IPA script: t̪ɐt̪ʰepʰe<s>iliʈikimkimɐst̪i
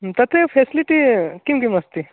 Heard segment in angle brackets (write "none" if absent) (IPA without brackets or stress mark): s